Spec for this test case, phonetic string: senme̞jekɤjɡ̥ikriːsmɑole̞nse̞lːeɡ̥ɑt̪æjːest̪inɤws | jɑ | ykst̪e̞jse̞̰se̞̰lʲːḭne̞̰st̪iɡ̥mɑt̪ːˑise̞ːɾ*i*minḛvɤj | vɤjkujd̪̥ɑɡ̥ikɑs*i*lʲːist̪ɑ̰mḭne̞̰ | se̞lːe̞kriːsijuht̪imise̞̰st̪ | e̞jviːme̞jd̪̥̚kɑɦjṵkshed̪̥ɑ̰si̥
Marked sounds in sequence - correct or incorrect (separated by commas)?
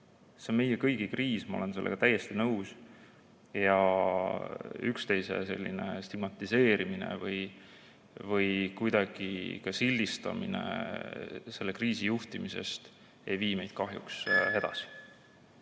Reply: correct, correct